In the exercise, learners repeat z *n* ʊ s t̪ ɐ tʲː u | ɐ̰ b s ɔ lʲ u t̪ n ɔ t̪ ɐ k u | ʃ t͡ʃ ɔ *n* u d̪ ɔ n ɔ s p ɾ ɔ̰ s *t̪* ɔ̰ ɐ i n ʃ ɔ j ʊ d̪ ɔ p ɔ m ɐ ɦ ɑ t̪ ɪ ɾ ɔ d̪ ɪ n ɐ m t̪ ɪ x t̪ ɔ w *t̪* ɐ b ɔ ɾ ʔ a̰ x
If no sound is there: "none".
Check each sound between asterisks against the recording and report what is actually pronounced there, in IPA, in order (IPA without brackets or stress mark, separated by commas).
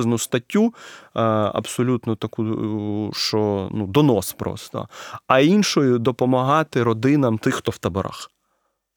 n, n, t̪, t̪